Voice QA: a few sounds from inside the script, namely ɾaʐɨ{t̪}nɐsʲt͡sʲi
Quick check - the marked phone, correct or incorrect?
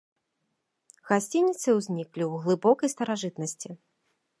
correct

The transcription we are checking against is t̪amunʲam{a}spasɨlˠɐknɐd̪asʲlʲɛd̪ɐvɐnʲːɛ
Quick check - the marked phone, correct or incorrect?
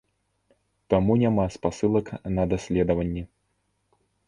correct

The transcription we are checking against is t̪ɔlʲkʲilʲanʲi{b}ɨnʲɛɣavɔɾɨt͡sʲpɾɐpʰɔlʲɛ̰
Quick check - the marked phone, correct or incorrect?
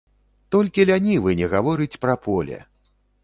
incorrect: v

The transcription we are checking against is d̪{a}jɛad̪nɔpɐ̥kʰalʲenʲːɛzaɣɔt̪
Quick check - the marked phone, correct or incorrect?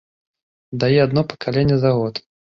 correct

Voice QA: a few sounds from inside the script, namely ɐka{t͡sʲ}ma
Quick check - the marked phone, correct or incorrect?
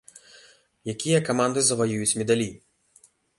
incorrect: none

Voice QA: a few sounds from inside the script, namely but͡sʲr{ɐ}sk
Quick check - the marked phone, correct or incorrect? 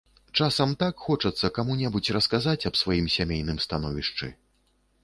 correct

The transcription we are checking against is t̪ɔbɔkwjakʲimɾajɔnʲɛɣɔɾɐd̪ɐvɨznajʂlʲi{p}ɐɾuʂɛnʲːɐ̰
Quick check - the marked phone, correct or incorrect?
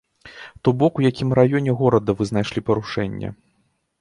correct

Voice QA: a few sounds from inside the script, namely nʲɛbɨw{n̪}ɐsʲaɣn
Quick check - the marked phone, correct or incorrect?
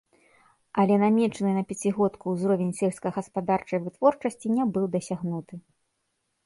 incorrect: d̪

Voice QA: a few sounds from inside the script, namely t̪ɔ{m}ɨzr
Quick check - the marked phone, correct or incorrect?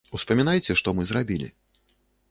correct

